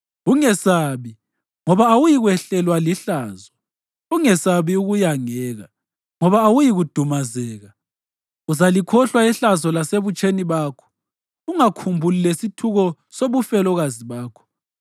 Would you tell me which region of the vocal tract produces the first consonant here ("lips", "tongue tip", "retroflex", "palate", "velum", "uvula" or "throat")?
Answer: velum